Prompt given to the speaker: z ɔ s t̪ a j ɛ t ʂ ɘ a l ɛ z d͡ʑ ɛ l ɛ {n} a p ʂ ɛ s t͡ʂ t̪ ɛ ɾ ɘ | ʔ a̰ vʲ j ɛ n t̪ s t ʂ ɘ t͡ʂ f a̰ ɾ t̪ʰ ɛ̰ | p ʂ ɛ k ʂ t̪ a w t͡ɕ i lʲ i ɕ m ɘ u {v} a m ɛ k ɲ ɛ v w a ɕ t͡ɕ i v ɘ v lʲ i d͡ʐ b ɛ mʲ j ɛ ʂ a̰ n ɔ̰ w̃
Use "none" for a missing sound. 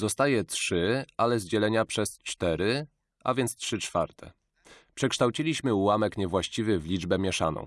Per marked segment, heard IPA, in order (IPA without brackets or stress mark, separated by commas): ɲ, w